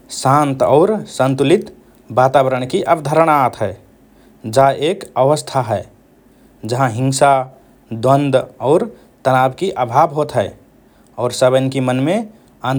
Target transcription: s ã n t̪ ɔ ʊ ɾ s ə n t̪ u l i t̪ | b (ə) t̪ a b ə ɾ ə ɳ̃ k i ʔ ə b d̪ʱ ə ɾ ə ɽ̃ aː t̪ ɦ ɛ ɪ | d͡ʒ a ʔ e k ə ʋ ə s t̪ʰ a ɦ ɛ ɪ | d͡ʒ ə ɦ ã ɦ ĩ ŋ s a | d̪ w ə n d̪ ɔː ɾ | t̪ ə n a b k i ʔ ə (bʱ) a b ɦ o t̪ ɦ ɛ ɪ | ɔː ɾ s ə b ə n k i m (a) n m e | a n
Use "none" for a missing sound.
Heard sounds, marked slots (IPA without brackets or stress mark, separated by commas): a, bʱ, ə